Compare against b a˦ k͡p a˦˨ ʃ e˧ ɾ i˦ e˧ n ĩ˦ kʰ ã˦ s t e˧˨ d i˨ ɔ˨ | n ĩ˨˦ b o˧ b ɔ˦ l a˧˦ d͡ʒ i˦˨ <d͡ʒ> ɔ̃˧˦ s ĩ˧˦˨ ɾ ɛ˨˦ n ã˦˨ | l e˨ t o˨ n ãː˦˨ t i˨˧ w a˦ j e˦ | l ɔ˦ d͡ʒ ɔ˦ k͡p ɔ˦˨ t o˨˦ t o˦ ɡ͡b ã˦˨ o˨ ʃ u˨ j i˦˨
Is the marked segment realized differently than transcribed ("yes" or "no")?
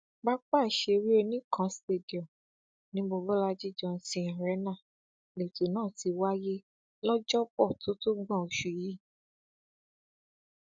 no